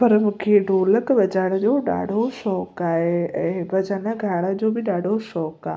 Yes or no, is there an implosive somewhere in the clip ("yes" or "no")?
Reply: yes